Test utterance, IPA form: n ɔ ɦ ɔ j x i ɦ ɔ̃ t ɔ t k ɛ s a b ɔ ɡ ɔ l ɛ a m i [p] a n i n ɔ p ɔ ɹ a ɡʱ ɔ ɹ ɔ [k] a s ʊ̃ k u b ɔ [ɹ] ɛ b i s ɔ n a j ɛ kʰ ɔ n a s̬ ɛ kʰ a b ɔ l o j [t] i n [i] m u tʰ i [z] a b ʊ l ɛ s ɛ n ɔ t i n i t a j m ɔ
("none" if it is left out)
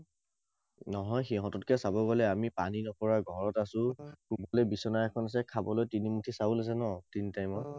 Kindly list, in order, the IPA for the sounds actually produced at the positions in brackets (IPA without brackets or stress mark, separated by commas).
p, t, l, t, i, s